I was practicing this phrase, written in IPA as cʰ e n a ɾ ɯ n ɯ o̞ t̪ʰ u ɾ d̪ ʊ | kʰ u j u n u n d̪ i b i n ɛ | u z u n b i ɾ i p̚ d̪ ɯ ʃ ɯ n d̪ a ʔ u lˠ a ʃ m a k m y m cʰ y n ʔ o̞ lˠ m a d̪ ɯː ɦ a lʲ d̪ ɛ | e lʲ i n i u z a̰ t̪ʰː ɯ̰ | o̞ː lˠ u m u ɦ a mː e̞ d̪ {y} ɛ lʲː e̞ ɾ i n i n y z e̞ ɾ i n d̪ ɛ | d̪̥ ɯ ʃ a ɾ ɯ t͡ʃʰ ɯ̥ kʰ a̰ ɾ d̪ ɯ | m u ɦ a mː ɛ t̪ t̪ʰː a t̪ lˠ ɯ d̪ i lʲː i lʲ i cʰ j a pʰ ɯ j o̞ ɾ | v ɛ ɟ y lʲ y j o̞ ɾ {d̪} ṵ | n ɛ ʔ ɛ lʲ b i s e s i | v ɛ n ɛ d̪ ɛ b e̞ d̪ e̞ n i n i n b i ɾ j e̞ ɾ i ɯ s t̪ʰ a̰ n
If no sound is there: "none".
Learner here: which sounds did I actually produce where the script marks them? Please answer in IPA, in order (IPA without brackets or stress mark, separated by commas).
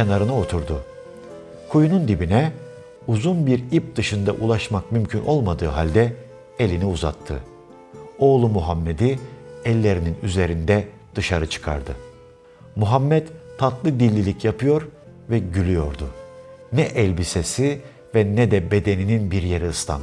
i, d̪